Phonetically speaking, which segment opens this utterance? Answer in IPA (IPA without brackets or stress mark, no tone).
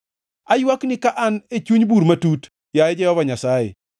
a